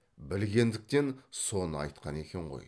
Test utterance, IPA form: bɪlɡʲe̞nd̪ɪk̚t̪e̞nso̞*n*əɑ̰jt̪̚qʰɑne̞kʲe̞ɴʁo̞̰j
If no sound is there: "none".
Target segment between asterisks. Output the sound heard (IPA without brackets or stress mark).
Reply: n